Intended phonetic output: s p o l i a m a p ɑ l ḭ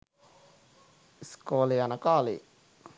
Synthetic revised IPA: s k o l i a n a k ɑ l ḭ